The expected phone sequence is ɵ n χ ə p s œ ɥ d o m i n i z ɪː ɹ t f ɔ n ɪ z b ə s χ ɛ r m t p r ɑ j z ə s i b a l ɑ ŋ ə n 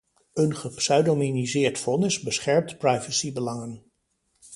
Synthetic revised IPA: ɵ n χ ə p s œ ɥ d o m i n i z ɪː ɹ t f ɔ n ɪ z b ə s χ ɛ ɹ m t p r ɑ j v ə s i b ə l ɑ ŋ ə n